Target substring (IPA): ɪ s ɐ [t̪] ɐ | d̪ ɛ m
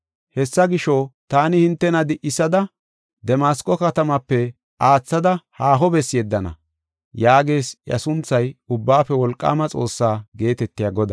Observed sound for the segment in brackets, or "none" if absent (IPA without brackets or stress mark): d̪